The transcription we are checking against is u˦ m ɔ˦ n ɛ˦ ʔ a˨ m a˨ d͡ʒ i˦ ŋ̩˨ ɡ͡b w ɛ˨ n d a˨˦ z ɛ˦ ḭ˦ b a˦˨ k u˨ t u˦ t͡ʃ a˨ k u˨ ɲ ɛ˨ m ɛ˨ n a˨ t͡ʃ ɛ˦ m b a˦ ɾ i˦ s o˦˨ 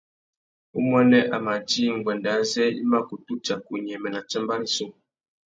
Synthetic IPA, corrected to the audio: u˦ m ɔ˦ n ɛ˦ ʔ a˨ m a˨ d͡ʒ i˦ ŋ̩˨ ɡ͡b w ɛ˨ n d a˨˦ z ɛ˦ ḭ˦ m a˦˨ k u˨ t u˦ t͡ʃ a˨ k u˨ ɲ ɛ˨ m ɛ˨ n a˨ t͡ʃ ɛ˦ m b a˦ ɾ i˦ s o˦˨